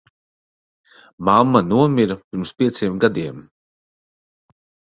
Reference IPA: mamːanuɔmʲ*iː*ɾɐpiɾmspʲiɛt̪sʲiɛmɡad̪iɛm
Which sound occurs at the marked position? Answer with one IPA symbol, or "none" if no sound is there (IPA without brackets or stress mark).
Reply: i